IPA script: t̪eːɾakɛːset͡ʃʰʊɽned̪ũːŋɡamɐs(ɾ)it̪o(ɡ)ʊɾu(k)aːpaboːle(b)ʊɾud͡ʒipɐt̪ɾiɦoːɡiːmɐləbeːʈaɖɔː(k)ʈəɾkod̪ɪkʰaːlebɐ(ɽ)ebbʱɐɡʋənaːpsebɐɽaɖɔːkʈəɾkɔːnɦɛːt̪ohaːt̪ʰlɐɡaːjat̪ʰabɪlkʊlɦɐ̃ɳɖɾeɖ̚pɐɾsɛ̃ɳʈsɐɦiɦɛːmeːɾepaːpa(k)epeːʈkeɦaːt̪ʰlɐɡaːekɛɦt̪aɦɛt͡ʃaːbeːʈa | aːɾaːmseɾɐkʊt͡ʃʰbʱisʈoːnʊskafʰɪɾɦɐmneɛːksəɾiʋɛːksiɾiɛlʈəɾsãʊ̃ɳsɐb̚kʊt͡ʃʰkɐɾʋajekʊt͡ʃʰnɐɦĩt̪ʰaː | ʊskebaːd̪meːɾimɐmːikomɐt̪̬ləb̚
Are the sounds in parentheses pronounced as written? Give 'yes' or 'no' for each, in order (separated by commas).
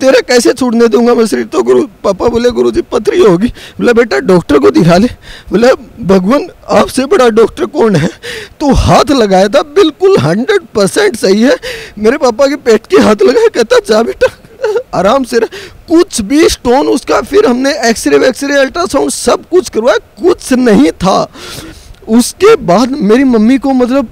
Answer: yes, yes, no, no, yes, no, yes